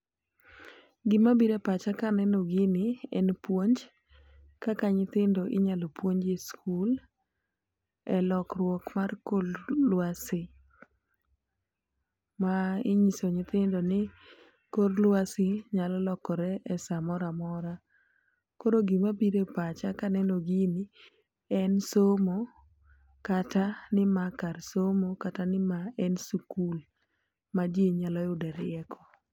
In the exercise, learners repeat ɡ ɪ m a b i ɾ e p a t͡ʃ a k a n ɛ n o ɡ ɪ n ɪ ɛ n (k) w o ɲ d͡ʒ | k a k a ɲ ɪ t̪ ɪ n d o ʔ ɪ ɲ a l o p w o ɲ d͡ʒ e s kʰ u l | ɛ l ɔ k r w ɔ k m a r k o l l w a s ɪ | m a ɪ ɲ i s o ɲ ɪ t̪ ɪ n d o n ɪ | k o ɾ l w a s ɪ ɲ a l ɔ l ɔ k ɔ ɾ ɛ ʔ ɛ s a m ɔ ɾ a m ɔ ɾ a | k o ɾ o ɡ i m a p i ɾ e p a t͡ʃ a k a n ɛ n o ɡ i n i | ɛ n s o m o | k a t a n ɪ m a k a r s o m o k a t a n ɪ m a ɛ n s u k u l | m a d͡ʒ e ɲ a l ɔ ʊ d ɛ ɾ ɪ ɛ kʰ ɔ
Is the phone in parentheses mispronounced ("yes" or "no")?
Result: yes